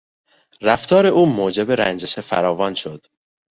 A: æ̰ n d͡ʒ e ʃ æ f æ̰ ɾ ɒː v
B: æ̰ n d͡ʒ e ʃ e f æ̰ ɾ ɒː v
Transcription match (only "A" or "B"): B